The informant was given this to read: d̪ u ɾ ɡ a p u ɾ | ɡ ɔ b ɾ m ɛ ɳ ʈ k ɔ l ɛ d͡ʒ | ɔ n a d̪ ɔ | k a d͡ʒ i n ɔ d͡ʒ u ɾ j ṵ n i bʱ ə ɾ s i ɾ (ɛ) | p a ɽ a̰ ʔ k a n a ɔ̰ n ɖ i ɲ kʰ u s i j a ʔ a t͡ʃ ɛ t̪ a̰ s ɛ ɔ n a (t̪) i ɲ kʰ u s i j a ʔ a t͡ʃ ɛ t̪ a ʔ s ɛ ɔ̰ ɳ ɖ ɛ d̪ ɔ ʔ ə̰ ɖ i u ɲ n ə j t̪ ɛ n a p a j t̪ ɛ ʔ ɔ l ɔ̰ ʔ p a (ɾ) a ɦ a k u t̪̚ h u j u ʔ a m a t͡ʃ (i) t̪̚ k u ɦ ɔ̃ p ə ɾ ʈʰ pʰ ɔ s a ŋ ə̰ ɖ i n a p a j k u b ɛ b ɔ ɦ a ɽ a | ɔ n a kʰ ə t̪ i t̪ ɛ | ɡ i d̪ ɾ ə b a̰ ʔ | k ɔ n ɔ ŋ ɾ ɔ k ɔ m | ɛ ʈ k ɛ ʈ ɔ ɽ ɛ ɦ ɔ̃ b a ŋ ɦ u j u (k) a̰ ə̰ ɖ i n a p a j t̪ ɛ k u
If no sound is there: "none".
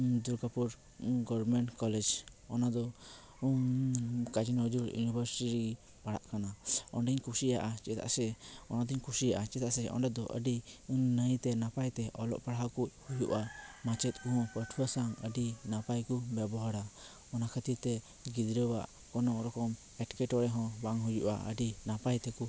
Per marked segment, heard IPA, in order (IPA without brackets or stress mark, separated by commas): i, d̪, ɽ, ɛ, ʔ